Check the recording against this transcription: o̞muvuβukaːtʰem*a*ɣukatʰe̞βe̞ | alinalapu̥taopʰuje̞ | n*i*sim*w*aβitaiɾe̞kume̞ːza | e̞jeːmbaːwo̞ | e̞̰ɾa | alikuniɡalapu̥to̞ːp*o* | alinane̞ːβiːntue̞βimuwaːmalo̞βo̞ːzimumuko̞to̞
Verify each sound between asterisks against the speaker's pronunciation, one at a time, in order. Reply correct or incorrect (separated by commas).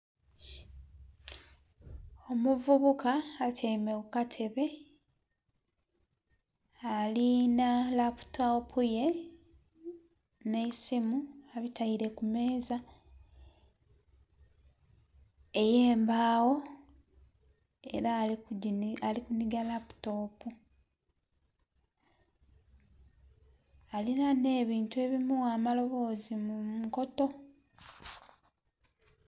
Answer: incorrect, incorrect, incorrect, incorrect